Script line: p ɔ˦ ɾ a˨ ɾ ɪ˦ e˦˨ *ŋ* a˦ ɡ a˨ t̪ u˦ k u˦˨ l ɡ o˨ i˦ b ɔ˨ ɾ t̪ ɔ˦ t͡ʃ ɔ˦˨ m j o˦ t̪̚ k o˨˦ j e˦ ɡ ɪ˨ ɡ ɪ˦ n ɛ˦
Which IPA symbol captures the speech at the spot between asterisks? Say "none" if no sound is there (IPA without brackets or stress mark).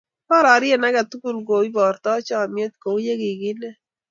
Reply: n